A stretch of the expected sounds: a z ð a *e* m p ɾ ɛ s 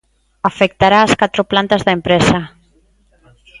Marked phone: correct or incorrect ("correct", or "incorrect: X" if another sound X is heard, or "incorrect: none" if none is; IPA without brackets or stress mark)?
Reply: correct